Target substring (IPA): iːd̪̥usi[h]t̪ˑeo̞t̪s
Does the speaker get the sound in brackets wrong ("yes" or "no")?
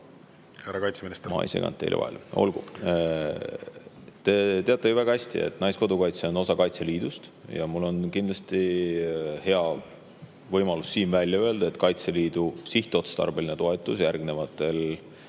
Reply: no